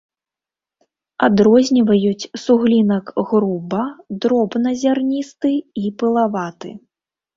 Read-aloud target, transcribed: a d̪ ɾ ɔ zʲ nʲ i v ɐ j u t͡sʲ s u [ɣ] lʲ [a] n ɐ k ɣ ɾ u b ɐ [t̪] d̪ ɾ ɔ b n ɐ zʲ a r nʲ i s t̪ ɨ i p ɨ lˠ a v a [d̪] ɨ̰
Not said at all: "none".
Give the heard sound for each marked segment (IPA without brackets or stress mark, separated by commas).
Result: ɣ, i, none, t̪